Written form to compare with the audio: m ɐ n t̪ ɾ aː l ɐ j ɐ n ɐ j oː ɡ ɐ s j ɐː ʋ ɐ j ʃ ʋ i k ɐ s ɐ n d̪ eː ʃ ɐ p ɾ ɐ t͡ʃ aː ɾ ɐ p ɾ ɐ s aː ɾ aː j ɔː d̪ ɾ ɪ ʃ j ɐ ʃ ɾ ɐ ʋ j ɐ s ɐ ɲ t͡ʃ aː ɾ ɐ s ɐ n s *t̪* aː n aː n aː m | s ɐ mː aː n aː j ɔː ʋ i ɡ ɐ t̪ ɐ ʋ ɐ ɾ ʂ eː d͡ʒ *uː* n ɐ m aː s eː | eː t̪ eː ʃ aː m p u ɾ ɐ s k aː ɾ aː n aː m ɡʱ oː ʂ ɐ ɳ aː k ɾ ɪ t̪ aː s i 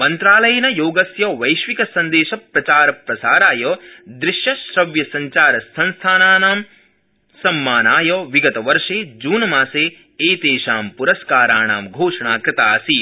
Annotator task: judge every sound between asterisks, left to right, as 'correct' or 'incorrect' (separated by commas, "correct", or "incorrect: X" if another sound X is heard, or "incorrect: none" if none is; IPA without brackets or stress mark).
incorrect: t̪ʰ, correct